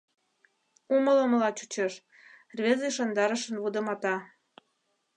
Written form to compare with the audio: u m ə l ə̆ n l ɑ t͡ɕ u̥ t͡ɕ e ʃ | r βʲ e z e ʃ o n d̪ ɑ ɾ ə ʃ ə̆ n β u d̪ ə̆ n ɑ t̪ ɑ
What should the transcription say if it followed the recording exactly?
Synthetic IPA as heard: u m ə l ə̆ m l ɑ t͡ɕ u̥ t͡ɕ e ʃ | r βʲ e z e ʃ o n d̪ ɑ ɾ ə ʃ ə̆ n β u d̪ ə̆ m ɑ t̪ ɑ

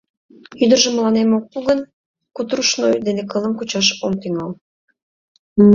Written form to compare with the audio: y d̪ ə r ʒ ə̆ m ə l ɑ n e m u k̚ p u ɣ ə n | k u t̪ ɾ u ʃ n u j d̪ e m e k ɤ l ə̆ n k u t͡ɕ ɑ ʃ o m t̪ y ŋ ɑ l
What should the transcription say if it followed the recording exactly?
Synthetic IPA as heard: y d̪ ə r ʒ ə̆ m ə l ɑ n e m o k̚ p u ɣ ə n | k u t̪ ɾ u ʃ n o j d̪ e n e k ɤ l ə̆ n k u t͡ɕ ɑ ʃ o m t̪ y ŋ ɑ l

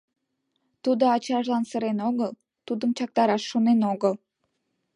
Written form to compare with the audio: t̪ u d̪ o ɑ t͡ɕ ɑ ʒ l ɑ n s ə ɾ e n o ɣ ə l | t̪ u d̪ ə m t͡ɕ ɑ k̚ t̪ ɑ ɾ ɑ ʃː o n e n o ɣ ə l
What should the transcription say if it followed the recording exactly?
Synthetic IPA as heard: t̪ u d̪ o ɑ t͡ɕ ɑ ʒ l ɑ n s ə ɾ e n o ɣ ə l | t̪ u d̪ ə m t͡ɕ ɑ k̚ t̪ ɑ ɾ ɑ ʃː o n e n o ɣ ə l

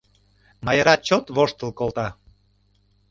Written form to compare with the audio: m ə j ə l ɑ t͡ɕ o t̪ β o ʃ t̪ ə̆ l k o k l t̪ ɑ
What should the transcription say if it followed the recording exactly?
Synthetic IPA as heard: m ɑ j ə ɾ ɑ t͡ɕ o t̪ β o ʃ t̪ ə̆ l k o l t̪ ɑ

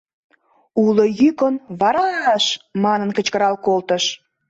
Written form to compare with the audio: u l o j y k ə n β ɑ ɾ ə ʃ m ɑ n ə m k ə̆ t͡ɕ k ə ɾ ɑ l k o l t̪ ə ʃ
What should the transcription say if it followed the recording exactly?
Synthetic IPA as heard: u l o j y k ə n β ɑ ɾ ɑ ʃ m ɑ n ə n k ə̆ t͡ɕ k ə ɾ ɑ l k o l t̪ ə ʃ

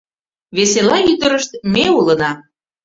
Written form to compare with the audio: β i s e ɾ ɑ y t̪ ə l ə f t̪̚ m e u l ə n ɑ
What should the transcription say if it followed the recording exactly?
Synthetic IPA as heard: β e s e l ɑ y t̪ ə ɾ ə ʃ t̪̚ m e u l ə n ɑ

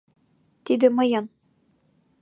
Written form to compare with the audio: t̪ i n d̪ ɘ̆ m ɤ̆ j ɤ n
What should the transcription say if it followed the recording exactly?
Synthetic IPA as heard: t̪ i d̪ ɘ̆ m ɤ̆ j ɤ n

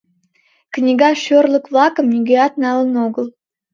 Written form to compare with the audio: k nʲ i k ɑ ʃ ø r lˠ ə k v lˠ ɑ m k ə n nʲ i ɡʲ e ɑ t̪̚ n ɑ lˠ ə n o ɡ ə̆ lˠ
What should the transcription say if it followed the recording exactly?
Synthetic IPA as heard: k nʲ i ɡ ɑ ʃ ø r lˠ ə k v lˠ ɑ k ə m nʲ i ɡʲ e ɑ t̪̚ n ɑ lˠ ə n o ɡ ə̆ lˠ

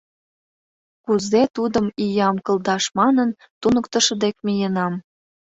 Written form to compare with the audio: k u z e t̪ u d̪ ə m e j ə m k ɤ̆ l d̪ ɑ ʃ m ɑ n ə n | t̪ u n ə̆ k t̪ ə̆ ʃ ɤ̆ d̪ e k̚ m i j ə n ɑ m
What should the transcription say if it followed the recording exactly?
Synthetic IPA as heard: k u z e t̪ u d̪ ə m i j ɑ m k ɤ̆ l d̪ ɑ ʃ m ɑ n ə n | t̪ u n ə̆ k t̪ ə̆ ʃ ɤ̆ d̪ e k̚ m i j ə n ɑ m

